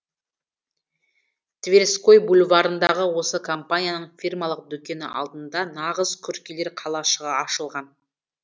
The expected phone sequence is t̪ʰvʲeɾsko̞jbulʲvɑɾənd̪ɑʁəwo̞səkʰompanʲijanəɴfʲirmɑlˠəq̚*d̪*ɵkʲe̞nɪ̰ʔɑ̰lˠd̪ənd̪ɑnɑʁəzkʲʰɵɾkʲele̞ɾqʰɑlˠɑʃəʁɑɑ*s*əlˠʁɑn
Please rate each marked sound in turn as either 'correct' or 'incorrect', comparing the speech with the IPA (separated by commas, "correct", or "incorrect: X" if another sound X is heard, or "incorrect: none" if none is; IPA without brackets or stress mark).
correct, incorrect: ʃ